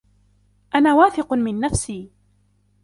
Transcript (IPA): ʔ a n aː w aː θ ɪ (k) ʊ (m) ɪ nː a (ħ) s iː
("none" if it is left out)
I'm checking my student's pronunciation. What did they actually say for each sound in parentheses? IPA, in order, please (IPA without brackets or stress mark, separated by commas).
q, m, f